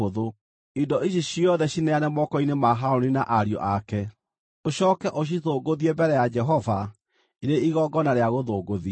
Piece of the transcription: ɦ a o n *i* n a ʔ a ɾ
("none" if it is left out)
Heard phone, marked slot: i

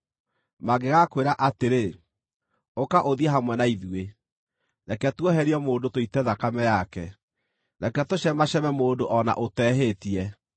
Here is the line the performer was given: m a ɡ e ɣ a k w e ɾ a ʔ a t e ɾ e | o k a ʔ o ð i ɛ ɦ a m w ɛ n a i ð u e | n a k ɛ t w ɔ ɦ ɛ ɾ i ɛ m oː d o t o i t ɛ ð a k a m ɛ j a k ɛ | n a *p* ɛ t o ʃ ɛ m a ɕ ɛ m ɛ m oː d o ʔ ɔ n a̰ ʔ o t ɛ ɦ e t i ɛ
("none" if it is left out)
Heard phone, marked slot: k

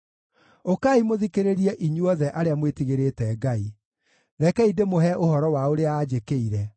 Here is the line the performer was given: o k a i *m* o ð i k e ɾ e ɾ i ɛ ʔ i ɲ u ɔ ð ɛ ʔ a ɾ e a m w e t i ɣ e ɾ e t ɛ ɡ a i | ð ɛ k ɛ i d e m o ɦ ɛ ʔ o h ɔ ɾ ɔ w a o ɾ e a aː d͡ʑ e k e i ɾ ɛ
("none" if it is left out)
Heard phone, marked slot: m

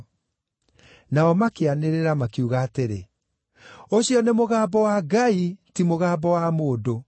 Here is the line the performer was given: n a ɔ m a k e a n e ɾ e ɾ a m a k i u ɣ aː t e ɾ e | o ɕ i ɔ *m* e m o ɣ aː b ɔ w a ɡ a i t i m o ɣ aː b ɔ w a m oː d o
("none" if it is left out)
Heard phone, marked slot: n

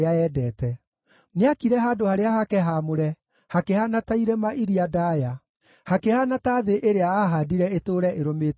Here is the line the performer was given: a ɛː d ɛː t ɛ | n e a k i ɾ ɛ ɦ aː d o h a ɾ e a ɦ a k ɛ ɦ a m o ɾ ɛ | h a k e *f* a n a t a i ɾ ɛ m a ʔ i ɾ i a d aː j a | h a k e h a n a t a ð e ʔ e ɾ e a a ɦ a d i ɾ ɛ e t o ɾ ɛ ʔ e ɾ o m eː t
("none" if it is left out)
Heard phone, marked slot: h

